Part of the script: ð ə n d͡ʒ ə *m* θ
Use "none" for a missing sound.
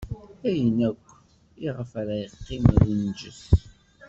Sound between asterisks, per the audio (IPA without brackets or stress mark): none